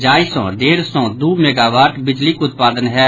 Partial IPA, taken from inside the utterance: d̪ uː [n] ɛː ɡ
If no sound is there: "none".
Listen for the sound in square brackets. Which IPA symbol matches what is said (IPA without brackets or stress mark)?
m